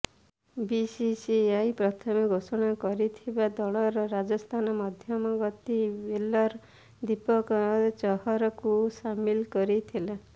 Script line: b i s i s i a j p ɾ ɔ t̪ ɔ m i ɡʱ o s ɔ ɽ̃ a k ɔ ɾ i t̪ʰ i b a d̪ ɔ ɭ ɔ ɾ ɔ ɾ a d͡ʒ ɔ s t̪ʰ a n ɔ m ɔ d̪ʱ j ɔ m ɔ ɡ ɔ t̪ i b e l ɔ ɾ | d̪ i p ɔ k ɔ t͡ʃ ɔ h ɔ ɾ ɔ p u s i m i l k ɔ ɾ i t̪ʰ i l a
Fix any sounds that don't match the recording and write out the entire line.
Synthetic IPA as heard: b i s i s i a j p ɾ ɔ t̪ʰ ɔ m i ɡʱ o s ɔ ɽ̃ a k ɔ ɾ i t̪ʰ i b a d̪ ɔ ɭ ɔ ɾ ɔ ɾ a d͡ʒ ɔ s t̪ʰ a n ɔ m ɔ d̪ʱ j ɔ m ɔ ɡ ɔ t̪ i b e l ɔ ɾ | d̪ i p ɔ k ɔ t͡ʃ ɔ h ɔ ɾ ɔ k u s a m i l k ɔ ɾ i t̪ʰ i l a